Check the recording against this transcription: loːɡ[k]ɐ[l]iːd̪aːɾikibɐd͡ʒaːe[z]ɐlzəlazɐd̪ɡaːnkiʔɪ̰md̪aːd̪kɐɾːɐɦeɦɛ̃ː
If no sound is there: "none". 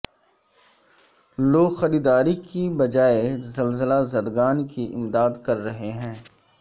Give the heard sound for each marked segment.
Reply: x, ɾ, z

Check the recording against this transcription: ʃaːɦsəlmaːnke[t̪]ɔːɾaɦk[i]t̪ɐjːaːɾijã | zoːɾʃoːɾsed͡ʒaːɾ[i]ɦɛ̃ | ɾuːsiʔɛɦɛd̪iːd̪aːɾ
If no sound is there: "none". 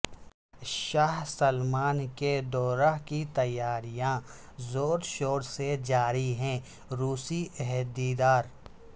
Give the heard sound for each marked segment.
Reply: d̪, i, i

